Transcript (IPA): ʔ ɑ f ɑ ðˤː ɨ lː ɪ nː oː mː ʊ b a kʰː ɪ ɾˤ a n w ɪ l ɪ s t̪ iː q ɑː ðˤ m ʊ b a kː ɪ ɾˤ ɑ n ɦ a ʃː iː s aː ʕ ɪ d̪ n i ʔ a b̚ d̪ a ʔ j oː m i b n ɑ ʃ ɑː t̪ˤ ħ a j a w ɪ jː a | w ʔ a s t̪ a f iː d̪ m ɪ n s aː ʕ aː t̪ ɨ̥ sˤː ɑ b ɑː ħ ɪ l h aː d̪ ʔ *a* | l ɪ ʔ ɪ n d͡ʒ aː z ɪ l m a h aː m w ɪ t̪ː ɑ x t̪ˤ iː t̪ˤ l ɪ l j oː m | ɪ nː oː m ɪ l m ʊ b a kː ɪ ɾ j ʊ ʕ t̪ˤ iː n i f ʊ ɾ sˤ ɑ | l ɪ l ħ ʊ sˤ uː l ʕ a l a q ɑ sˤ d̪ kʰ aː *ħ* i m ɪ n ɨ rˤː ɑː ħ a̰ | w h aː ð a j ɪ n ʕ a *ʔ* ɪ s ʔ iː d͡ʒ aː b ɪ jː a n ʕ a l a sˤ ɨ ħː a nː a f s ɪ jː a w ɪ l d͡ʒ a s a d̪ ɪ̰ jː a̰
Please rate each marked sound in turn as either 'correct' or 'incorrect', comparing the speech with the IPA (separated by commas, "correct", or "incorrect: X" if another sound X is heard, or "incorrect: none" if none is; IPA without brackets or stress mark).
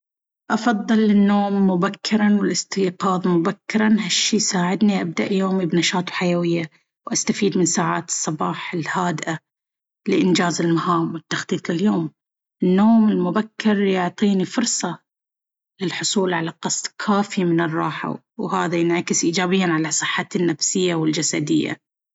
correct, incorrect: f, incorrect: k